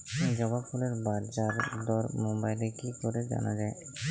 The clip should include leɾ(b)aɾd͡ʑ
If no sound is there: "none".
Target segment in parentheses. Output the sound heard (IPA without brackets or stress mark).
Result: b